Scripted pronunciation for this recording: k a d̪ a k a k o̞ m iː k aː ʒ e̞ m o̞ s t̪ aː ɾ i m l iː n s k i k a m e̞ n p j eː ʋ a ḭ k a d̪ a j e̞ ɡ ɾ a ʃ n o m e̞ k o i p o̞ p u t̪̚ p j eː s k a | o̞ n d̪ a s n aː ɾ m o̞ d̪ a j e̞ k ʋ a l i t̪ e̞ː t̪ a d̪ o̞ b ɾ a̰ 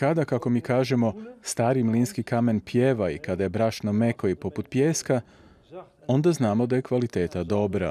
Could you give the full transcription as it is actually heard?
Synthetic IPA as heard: k a d̪ a k a k o̞ m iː k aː ʒ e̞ m o̞ s t̪ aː ɾ i m l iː n s k i k a m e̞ n p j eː ʋ a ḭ k a d̪ a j e̞ b ɾ a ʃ n o m e̞ k o i p o̞ p u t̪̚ p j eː s k a | o̞ n d̪ a z n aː m o̞ d̪ a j e̞ k ʋ a l i t̪ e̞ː t̪ a d̪ o̞ b ɾ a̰